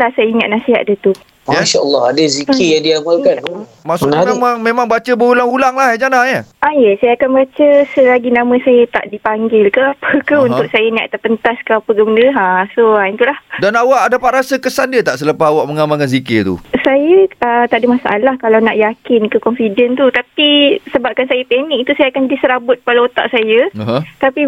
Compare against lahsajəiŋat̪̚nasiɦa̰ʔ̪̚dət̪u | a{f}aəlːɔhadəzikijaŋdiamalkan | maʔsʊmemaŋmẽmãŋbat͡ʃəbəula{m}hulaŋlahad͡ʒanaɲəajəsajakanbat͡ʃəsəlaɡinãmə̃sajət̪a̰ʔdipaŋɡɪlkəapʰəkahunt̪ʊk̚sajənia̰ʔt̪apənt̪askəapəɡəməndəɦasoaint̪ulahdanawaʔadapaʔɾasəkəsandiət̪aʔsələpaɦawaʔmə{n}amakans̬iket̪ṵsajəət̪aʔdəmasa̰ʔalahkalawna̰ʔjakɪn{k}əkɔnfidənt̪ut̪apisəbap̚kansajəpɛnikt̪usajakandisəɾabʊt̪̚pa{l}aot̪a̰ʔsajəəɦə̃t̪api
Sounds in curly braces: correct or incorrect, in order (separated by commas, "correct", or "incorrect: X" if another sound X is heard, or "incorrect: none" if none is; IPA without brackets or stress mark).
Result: incorrect: ʃ, incorrect: ŋ, incorrect: ŋ, correct, correct